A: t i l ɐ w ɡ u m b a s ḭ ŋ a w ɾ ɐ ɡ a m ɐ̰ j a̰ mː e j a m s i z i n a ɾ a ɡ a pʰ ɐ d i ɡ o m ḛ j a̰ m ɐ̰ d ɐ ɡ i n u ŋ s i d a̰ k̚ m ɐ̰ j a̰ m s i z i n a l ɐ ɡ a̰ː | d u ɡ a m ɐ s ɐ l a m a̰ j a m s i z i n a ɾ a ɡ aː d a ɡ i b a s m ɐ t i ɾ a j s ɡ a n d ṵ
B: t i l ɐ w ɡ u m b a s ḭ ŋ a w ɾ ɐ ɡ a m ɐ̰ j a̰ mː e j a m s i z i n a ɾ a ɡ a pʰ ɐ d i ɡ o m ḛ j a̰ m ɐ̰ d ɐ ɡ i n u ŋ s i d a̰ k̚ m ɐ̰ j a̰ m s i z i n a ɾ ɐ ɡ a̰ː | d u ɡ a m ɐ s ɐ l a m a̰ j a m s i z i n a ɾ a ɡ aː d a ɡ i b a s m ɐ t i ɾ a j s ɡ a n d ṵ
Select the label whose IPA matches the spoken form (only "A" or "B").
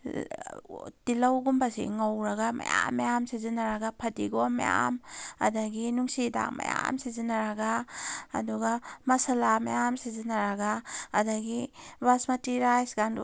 B